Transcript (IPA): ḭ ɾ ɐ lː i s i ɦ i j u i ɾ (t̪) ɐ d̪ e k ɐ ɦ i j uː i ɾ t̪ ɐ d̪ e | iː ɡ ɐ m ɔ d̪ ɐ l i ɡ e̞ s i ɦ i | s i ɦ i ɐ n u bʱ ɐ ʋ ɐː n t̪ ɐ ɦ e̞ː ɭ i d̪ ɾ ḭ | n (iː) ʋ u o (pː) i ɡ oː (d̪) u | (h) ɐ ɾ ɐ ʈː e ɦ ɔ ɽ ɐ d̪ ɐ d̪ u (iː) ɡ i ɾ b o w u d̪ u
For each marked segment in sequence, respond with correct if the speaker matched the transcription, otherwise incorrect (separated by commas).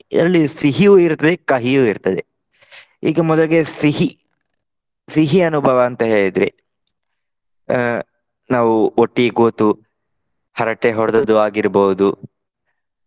correct, incorrect, incorrect, incorrect, correct, incorrect